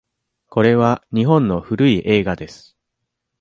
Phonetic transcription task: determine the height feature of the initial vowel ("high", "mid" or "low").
mid